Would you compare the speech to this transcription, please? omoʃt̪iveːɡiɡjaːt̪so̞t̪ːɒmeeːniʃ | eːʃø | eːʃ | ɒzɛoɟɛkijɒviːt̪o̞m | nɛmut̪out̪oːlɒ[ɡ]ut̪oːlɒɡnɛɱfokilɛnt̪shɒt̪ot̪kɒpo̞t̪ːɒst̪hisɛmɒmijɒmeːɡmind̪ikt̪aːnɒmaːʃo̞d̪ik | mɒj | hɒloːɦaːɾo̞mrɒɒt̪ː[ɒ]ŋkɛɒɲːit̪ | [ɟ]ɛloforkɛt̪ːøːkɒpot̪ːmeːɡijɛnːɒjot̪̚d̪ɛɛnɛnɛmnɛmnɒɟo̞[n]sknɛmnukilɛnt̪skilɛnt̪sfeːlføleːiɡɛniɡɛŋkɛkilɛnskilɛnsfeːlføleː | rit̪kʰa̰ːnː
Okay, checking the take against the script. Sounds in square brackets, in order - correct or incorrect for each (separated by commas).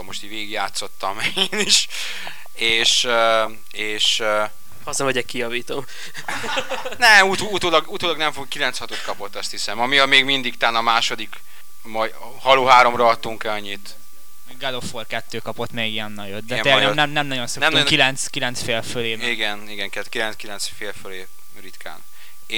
correct, incorrect, incorrect, correct